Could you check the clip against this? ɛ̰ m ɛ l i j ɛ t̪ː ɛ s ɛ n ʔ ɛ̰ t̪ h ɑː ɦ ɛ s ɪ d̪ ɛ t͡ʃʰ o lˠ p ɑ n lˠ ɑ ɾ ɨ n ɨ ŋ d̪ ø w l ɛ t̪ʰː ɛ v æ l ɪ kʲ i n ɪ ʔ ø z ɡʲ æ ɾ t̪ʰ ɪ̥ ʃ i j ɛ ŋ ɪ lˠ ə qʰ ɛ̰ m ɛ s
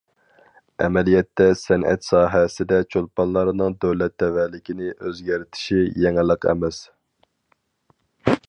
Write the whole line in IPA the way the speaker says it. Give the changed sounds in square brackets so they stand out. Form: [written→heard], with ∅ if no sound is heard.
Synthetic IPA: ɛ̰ m ɛ l i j ɛ t̪ː ɛ s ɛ n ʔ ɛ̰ t̪ [h→s] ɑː ɦ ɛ s ɪ d̪ ɛ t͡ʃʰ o lˠ p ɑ n lˠ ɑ ɾ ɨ n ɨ ŋ d̪ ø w l ɛ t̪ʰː ɛ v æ l ɪ kʲ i n ɪ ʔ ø z ɡʲ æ ɾ t̪ʰ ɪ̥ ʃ i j ɛ ŋ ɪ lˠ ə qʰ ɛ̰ m ɛ s